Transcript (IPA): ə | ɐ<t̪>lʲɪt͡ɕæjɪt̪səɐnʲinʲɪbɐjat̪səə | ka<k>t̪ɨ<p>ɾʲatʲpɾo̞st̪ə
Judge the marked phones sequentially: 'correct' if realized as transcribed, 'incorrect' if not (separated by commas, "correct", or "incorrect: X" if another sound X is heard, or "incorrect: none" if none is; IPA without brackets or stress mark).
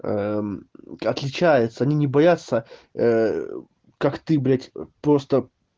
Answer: correct, correct, incorrect: b